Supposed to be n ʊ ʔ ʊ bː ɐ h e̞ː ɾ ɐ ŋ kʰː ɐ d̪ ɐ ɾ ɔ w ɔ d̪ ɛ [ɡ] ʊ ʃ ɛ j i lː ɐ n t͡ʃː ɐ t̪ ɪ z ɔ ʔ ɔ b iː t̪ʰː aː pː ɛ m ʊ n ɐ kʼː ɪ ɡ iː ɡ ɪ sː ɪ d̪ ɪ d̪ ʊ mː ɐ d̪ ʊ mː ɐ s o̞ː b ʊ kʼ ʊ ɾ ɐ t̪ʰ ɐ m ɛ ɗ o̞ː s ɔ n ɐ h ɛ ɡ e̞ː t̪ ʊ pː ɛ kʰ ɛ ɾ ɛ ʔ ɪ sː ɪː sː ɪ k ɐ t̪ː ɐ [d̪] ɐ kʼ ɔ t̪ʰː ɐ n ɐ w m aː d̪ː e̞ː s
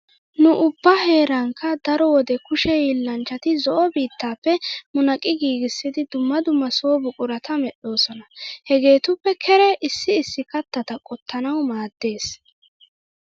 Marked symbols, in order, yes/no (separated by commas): no, no